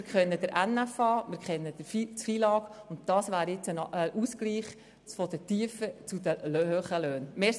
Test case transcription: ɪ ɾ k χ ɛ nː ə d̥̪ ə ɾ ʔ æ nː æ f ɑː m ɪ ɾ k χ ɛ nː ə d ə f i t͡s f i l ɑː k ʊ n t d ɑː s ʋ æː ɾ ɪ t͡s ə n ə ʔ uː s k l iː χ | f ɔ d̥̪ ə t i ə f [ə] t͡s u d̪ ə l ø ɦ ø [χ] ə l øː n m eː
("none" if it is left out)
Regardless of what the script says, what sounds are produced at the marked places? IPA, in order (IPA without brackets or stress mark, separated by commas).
ə, χ